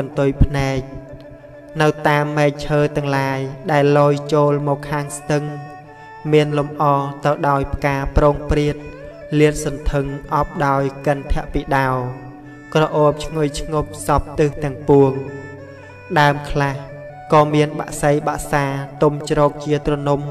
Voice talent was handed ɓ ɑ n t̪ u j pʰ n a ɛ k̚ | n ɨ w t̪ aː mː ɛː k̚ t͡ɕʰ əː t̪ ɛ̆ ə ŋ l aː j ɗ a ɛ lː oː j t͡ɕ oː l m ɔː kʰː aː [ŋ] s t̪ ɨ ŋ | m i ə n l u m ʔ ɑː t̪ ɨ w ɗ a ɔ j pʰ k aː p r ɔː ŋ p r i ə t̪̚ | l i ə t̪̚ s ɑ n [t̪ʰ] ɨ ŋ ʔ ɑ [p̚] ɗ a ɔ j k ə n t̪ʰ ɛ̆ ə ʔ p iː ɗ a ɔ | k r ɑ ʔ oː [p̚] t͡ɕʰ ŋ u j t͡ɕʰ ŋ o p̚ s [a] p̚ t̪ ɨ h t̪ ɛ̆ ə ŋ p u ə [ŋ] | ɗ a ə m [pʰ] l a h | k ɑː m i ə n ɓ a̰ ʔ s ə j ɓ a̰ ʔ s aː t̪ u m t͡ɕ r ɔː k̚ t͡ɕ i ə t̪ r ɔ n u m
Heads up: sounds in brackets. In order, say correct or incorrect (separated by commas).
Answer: correct, correct, correct, correct, incorrect, correct, incorrect